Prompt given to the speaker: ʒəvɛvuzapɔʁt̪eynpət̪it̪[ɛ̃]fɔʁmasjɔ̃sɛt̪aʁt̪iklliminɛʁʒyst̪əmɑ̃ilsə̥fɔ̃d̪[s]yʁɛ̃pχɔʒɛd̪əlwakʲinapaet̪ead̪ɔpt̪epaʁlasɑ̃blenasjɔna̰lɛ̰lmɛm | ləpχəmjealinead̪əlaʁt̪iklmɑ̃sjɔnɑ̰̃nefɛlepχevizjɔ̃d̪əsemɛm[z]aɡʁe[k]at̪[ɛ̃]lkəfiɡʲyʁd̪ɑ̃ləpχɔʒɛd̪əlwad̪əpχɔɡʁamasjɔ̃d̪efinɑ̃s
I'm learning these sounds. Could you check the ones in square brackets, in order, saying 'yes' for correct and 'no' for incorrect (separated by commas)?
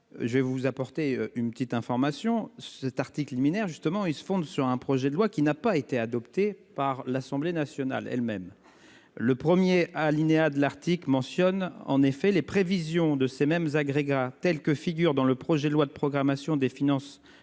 yes, yes, yes, no, no